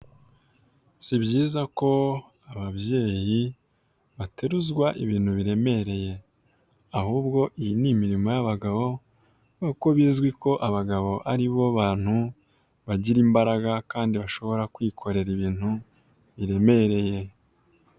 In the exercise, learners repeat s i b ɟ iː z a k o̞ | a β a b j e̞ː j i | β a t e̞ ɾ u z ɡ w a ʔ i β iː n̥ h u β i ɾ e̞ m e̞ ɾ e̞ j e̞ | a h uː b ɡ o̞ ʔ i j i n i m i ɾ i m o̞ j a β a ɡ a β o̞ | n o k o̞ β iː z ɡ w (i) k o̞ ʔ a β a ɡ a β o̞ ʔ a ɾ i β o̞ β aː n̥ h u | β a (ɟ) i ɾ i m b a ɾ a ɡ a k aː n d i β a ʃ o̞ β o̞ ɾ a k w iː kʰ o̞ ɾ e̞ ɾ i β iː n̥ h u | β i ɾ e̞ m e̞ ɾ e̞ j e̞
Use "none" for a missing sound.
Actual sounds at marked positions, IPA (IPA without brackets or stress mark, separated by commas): i, ɟ